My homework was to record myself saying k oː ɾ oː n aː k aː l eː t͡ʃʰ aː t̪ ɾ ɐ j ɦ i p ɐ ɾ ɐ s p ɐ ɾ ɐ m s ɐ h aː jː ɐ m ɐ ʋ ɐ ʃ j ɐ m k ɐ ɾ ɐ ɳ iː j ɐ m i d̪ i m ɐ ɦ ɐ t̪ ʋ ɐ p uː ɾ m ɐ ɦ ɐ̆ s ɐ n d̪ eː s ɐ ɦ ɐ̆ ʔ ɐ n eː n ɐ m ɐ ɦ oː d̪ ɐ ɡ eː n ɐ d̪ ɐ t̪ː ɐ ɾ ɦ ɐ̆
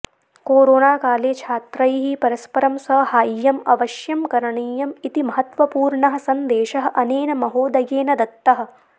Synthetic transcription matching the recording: k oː ɾ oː n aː k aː l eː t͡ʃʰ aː t̪ ɾ ɐ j ɦ i p ɐ ɾ ɐ s p ɐ ɾ ɐ m s ɐ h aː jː ɐ m ɐ ʋ ɐ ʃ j ɐ m k ɐ ɾ ɐ ɳ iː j ɐ m i t̪ i m ɐ ɦ ɐ t̪ ʋ ɐ p uː ɾ ɳ ɐ ɦ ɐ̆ s ɐ n d̪ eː ʃ ɐ ɦ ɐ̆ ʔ ɐ n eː n ɐ m ɐ ɦ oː d̪ ɐ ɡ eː n ɐ d̪ ɐ t̪ː ɐ ɦ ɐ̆

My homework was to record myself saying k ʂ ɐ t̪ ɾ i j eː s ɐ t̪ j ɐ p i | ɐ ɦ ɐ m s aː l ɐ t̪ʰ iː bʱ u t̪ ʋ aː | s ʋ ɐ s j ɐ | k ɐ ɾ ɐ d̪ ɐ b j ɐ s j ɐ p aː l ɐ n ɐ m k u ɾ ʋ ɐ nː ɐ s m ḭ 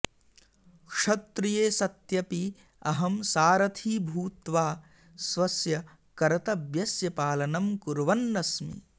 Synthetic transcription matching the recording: k ʂ ɐ t̪ ɾ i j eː s ɐ t̪ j ɐ p i | ɐ ɦ ɐ m s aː ɾ ɐ t̪ʰ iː bʱ uː t̪ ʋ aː | s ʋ ɐ s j ɐ | k ɐ ɾ ɐ t̪ ɐ b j ɐ s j ɐ p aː l ɐ n ɐ m k u ɾ ʋ ɐ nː ɐ s m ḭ

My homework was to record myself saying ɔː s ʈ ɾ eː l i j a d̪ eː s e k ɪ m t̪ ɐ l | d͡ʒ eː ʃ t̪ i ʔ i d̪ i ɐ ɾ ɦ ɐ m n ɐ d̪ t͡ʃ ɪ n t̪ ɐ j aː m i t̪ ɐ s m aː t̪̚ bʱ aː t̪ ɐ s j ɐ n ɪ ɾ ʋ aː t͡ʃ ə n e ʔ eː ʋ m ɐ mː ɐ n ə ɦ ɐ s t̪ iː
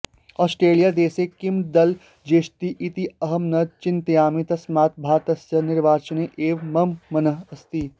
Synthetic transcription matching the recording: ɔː s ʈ ɾ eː l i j a d̪ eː s e k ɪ m d̪ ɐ l | d͡ʒ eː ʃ t̪ i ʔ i t̪ i ɐ ɦ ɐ m n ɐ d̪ t͡ʃ ɪ n t̪ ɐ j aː m i t̪ ɐ s m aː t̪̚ bʱ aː t̪ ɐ s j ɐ n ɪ ɾ ʋ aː t͡ʃ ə n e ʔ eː ʋ m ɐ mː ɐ n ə ɦ ɐ s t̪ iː

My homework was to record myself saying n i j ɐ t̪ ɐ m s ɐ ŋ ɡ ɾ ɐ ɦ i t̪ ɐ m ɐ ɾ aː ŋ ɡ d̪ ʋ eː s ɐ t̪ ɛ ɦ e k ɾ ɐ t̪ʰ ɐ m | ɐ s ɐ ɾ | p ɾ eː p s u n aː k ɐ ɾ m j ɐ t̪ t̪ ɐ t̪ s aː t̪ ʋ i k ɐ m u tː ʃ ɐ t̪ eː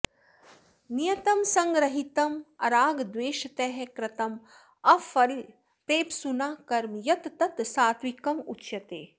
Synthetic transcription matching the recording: n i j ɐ t̪ ɐ m s ɐ ŋ ɡ ɾ ɐ ɦ i t̪ ɐ m ɐ ɾ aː ɡ d̪ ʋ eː ʃ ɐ t̪ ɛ ɦ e k ɾ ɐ t̪ ɐ m | ɐ f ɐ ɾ | p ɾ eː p s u n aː k ɐ ɾ m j ɐ t̪ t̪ ɐ t̪ s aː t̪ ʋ i k ɐ m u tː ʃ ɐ t̪ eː

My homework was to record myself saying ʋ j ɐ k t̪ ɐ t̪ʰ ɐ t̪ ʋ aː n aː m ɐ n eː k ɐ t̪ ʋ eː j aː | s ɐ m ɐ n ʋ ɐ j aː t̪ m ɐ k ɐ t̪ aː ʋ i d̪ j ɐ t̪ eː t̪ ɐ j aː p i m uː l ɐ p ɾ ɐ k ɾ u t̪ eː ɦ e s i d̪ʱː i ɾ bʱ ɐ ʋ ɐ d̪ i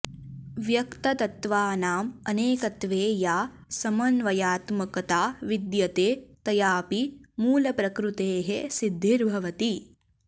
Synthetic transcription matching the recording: ʋ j ɐ k t̪ ɐ t̪ ɐ t̪ ʋ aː n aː m ɐ n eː k ɐ t̪ ʋ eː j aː | s ɐ m ɐ n ʋ ɐ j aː t̪ m ɐ k ɐ t̪ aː ʋ i d̪ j ɐ t̪ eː t̪ ɐ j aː p i m uː l ɐ p ɾ ɐ k ɾ u t̪ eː ɦ e s i d̪ʱː i ɾ bʱ ɐ ʋ ɐ t̪ i

